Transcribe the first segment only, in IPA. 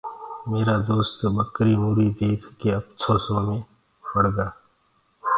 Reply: m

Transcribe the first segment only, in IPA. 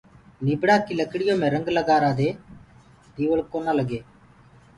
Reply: n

